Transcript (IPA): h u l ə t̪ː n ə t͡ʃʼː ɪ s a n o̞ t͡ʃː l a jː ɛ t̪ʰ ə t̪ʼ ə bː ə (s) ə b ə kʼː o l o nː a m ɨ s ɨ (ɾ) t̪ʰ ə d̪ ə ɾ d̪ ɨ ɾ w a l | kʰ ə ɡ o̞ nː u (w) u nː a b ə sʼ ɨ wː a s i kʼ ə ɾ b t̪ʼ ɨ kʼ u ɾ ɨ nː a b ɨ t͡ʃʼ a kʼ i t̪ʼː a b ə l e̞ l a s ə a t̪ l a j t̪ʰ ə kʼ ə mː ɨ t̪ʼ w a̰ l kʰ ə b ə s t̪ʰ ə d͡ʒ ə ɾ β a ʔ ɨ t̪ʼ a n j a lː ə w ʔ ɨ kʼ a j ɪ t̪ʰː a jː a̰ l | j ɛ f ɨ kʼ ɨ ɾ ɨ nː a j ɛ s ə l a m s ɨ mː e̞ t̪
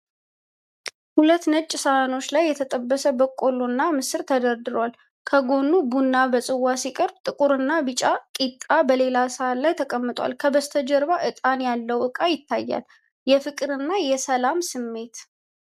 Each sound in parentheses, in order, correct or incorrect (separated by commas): correct, correct, incorrect